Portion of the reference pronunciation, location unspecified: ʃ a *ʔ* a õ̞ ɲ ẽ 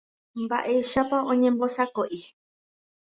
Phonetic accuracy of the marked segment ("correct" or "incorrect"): incorrect